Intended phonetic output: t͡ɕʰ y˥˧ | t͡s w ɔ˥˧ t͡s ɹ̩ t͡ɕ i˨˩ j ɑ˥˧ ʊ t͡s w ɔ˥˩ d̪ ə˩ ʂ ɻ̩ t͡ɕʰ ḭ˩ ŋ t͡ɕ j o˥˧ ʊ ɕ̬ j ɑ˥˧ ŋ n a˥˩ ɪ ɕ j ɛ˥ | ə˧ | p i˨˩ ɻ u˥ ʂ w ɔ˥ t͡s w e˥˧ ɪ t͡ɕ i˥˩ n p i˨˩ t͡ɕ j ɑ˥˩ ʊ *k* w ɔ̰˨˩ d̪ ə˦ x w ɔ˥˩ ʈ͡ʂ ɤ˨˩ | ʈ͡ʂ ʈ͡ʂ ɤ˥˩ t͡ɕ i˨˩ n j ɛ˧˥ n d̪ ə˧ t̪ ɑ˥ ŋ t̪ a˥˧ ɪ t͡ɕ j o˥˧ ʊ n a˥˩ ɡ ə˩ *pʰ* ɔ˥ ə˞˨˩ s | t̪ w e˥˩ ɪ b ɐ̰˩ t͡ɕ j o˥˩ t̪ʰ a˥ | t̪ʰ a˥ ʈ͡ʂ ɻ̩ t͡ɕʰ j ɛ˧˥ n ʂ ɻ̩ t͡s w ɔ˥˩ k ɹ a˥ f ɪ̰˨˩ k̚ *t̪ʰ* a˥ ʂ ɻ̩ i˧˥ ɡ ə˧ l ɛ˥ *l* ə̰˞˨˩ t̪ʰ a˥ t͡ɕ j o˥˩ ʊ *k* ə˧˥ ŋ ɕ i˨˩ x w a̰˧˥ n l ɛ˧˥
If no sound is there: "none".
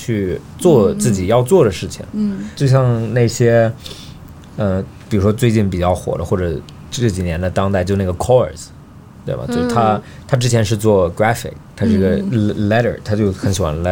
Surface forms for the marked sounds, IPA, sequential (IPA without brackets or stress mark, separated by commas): x, kʰ, t̪ʰ, ɾ, x